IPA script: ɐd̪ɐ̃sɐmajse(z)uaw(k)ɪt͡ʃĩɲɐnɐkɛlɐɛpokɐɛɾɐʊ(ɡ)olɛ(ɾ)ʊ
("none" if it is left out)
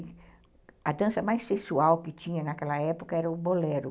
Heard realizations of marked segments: s, k, b, ɾ

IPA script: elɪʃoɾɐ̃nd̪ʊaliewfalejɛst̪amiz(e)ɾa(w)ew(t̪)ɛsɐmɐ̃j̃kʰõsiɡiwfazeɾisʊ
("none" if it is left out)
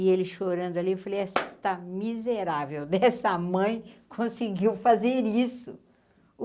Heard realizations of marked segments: e, v, d̪

